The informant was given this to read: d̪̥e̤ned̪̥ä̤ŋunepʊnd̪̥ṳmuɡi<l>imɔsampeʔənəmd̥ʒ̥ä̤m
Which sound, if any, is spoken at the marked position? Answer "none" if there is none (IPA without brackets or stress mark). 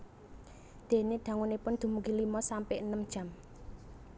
l